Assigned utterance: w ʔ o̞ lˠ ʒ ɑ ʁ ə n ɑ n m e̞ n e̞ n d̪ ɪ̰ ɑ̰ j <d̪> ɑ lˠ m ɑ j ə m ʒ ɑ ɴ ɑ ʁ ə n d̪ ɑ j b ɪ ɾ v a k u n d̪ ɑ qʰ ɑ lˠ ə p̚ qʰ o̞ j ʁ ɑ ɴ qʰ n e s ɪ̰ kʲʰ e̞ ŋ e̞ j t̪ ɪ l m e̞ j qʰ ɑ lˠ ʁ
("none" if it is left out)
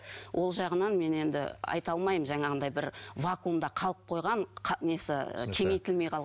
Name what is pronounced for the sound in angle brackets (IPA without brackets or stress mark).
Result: t̪